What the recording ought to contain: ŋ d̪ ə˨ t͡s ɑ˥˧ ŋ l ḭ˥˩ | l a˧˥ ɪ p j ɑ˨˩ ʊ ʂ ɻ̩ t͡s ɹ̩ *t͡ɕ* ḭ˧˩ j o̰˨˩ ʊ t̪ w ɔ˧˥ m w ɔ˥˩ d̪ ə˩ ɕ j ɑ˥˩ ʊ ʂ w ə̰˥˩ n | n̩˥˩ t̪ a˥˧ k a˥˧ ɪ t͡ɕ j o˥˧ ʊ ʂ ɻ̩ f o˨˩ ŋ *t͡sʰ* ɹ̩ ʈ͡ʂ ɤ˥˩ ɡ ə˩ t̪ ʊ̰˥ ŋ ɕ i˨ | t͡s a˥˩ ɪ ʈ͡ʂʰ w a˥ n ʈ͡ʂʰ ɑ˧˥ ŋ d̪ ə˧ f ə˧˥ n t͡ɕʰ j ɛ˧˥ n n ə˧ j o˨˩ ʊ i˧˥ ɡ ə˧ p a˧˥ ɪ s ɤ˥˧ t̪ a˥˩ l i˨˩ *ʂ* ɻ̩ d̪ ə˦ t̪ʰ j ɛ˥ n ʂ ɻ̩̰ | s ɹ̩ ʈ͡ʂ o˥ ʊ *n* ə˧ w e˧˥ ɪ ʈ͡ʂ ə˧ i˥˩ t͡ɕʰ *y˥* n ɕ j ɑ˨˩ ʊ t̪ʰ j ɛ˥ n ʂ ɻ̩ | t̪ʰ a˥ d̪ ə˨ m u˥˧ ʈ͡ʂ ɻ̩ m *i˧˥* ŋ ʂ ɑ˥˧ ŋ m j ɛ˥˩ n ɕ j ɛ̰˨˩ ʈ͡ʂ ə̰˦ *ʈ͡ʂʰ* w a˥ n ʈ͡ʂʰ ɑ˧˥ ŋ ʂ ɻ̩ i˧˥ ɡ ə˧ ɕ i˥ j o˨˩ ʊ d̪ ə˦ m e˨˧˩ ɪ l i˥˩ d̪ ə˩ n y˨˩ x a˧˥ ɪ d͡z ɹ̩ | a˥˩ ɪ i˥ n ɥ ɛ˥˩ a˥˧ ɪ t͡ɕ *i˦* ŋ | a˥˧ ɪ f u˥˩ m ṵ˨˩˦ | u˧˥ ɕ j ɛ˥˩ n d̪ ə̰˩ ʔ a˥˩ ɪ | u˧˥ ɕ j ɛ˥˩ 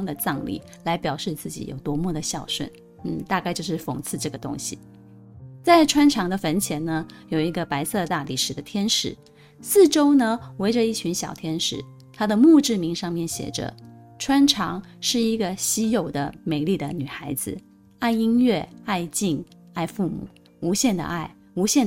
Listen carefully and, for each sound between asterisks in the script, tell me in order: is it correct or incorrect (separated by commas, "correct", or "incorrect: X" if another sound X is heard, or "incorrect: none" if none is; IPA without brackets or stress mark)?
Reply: correct, correct, correct, correct, incorrect: y˧˥, correct, correct, incorrect: i˥˩